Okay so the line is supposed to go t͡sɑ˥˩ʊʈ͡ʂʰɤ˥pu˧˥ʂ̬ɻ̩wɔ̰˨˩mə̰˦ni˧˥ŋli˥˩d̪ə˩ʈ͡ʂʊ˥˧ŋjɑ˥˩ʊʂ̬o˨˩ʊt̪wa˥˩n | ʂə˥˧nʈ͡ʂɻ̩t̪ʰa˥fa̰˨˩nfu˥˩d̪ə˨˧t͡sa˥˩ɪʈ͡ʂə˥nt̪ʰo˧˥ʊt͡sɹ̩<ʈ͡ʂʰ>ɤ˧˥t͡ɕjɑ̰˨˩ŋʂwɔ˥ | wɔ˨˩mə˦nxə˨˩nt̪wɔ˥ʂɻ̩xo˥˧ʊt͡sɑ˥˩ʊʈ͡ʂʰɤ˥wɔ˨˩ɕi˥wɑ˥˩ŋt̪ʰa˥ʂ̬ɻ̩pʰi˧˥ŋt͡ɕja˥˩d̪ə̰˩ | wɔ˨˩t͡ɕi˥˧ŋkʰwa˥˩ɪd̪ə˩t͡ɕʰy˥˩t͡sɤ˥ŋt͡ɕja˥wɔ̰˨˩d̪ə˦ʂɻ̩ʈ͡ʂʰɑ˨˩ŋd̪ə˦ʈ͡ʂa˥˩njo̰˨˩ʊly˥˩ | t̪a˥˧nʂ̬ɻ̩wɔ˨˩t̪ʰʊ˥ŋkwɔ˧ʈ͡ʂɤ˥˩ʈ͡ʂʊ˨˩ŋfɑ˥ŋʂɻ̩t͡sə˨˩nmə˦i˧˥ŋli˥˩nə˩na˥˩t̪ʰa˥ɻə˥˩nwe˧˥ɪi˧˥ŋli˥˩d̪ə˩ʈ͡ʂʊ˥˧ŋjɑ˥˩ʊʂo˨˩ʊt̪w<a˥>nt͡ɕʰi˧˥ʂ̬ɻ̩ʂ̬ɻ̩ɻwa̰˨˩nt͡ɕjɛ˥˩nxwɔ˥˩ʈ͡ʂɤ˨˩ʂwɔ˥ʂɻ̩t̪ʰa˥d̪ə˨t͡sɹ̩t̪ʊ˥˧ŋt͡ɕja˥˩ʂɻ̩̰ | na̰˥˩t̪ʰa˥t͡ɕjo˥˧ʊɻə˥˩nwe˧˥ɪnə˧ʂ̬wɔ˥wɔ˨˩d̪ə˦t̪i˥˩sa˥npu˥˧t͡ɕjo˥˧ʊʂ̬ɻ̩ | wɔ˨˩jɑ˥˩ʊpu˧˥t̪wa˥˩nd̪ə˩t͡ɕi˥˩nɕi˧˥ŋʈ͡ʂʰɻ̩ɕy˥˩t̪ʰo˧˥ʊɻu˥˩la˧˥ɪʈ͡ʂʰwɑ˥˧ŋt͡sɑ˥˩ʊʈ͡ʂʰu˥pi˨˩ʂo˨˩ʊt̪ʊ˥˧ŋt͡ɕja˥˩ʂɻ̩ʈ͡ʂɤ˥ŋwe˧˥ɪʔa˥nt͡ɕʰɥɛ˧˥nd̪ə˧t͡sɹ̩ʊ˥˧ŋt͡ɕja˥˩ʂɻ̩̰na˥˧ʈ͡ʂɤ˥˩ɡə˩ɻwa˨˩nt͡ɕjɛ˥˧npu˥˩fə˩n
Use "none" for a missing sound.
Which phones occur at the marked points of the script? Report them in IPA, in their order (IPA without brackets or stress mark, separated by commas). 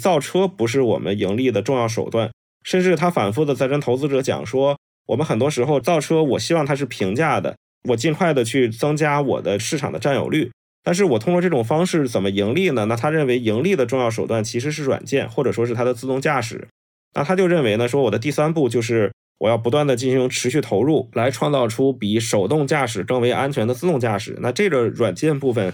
ʈ͡ʂ, a˥˩